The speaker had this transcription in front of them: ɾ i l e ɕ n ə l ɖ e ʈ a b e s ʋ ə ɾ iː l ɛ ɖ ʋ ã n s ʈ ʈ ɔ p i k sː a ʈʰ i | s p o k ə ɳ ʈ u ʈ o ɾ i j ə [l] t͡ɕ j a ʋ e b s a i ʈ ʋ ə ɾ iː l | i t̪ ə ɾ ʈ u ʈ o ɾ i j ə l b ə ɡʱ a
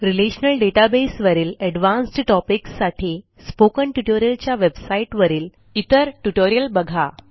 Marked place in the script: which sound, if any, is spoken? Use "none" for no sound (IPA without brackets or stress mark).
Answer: l